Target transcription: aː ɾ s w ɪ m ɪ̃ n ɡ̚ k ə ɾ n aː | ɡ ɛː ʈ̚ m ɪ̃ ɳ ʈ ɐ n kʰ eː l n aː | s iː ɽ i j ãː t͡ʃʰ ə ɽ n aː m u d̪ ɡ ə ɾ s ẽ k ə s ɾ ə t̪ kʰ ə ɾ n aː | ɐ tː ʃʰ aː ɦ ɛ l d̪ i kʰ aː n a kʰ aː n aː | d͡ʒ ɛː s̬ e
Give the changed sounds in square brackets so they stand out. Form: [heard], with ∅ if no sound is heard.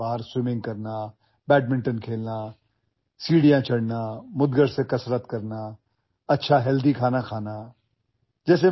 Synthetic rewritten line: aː ɾ s w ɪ m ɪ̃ [ŋ] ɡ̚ k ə ɾ n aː | [b] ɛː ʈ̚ m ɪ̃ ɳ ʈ [ə] n kʰ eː l n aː | s iː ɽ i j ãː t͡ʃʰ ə ɽ n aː m [ʊ] d̪ ɡ ə ɾ s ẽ k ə s ɾ ə t̪ [k] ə ɾ n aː | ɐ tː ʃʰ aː ɦ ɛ l d̪ i kʰ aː n a kʰ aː n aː | d͡ʒ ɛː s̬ e